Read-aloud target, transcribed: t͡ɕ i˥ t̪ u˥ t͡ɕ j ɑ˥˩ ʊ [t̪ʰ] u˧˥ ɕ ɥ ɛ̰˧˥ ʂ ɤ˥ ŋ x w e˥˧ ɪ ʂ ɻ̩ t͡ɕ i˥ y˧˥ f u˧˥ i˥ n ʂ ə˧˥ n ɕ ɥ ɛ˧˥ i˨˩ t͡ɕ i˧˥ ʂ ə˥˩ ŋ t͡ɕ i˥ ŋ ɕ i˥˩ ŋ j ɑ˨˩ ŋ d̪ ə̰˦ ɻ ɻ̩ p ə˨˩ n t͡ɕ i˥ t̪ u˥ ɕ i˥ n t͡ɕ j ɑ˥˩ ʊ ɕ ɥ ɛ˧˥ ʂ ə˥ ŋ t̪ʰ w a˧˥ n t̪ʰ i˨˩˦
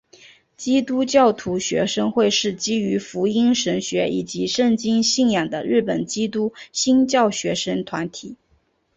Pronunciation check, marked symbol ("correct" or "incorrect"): correct